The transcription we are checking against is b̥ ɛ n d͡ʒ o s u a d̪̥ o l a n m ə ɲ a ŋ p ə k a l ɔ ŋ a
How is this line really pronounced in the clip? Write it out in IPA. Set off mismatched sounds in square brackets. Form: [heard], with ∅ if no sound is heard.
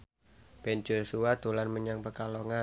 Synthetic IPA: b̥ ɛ n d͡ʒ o s u a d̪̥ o l a n m ə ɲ a ŋ p ə k a l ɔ ŋ a